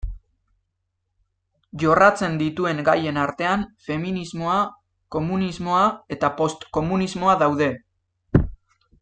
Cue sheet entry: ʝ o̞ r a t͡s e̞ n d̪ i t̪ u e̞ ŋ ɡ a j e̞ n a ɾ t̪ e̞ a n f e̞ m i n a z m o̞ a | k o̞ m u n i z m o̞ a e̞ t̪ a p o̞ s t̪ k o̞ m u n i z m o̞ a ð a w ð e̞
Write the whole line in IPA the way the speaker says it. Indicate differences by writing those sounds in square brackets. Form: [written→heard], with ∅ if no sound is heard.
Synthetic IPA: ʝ o̞ r a t͡s e̞ n d̪ i t̪ u e̞ ŋ ɡ a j e̞ n a ɾ t̪ e̞ a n f e̞ m i n [a→i] z m o̞ a | k o̞ m u n i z m o̞ a e̞ t̪ a p o̞ s t̪ k o̞ m u n i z m o̞ a ð a w ð e̞